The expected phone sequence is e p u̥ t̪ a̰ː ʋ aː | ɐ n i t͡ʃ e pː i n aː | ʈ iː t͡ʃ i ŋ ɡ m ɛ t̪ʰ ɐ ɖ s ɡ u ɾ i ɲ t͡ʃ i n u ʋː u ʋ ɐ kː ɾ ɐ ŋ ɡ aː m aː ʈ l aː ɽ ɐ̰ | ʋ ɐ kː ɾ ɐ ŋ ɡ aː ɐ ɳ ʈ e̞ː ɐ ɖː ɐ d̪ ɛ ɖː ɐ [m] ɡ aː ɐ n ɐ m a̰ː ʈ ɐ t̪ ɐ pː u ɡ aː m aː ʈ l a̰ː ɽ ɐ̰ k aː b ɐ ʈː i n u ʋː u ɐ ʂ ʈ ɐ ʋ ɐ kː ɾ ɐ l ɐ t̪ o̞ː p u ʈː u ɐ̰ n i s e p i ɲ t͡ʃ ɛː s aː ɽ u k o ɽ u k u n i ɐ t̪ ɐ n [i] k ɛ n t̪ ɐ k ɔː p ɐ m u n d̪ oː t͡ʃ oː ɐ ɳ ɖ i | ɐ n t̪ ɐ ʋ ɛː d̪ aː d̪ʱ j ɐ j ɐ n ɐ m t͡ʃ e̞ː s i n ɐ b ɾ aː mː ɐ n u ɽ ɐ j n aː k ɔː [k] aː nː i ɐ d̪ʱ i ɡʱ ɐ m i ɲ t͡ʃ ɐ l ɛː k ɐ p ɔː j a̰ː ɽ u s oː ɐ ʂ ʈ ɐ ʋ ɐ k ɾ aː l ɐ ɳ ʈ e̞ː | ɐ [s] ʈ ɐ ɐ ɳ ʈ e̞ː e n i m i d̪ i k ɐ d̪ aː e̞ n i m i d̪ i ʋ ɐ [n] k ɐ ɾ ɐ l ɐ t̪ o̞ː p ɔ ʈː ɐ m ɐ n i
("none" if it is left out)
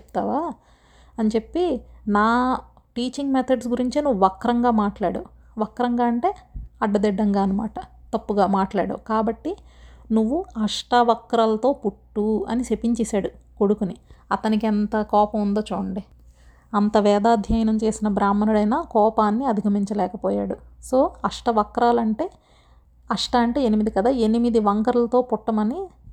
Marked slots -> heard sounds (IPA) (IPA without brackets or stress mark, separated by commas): ŋ, i, p, ʂ, ŋ